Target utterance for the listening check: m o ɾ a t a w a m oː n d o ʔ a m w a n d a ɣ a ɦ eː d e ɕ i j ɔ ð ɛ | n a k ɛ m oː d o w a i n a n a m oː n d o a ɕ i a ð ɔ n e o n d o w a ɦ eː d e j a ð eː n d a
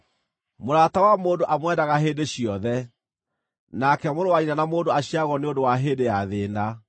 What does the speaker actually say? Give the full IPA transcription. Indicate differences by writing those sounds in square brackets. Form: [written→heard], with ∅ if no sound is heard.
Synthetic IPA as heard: m o ɾ a t a w a m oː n d o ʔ a m w [a→ɛ] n d a ɣ a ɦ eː d e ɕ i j ɔ ð ɛ | n a k ɛ m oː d o w a i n a n a m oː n d o a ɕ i a [ð→ɣ] ɔ n e o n d o w a ɦ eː d e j a ð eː n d a

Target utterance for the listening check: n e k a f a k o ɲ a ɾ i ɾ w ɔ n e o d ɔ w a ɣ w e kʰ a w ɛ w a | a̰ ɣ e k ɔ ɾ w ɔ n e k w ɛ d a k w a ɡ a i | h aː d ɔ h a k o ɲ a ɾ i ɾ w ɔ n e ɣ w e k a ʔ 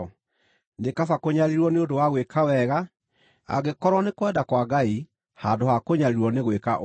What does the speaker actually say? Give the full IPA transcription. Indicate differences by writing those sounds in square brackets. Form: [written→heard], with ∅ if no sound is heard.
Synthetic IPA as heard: n e k a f a k o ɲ a ɾ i ɾ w ɔ n e o d [ɔ→o] w a ɣ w e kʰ a w ɛ [w→ɣ] a | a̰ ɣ e k ɔ ɾ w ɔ n e k w ɛ d a k w a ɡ a i | h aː d [ɔ→o] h a k o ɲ a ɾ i ɾ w ɔ n e ɣ w e k a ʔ

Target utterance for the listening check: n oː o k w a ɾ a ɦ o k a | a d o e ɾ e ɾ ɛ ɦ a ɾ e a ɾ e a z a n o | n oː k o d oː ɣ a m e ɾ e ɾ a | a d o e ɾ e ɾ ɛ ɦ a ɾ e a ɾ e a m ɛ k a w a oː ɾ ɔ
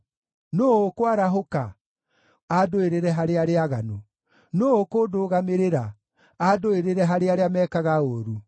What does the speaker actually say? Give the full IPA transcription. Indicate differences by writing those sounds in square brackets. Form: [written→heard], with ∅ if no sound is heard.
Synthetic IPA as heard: n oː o k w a ɾ a ɦ o k a | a d o e ɾ e ɾ ɛ ɦ a ɾ e a ɾ e a [z→ɣ] a n o | n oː k o d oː ɣ a m e ɾ e ɾ a | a d o e ɾ e ɾ ɛ ɦ a ɾ e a ɾ e a m ɛ k a [w→ɣ] a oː ɾ [ɔ→u]

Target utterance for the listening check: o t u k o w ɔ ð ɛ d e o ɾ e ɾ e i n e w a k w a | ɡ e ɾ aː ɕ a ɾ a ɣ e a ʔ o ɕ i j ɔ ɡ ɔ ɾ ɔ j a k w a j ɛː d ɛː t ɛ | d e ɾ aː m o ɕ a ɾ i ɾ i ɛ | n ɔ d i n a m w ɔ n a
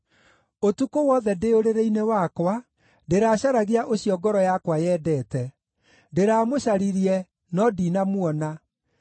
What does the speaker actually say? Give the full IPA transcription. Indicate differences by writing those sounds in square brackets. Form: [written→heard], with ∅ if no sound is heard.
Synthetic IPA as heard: o t u k o w ɔ ð ɛ d e o ɾ e ɾ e i n e w a k w a | [ɡ→d] e ɾ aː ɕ a ɾ a ɣ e a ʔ o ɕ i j ɔ ɡ ɔ ɾ ɔ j a k w a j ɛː d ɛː t ɛ | d e ɾ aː m o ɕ a ɾ i ɾ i ɛ | n ɔ d i n a m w ɔ n a

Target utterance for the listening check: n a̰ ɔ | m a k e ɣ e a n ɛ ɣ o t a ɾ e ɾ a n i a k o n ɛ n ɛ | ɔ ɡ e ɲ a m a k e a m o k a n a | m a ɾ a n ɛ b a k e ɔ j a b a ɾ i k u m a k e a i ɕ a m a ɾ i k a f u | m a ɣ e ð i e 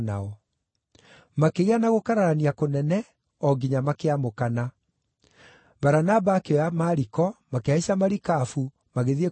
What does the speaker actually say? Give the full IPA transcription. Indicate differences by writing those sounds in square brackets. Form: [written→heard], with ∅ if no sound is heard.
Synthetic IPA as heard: n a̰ ɔ | m a k e ɣ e a n [ɛ→a] ɣ o [t→k] a ɾ [e→a] ɾ a n i a k o n ɛ n ɛ | ɔ ɡ [e→i] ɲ a m a k e a m o k a n a | [m→b] a ɾ a n [ɛ→a] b a k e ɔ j a [b→m] a ɾ i k [u→ɔ] m a k e a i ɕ a m a ɾ i k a f u | m a ɣ e ð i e

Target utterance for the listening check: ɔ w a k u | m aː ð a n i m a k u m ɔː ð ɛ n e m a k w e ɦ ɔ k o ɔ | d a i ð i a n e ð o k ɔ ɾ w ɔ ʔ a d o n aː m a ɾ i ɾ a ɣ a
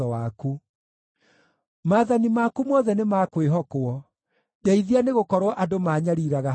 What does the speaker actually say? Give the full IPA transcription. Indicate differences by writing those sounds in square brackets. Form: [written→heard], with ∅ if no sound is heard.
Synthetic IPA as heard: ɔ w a k u | m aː ð a n i m a k u m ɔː ð ɛ n e m a k w e ɦ ɔ k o ɔ | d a i ð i a n e [ð→ɣ] o k ɔ ɾ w ɔ ʔ a d o [n→m] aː [m→ɲ] a ɾ i ɾ a ɣ a

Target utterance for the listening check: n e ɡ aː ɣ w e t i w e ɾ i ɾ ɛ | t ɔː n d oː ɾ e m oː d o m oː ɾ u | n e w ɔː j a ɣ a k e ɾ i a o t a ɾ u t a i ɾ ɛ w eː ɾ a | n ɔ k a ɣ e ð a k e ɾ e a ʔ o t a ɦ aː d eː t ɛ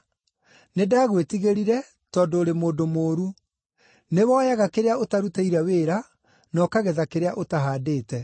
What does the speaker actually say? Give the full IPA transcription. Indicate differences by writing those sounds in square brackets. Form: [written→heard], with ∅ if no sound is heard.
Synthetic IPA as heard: n e [ɡ→d] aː ɣ w e t i [w→ɣ] e ɾ i ɾ ɛ | t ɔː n d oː ɾ e m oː d o m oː ɾ u | n e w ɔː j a ɣ a k e ɾ [i→e] a o t a ɾ u t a i ɾ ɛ w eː ɾ a | n ɔ k a ɣ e ð a k e ɾ e a ʔ o t a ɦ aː d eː t ɛ

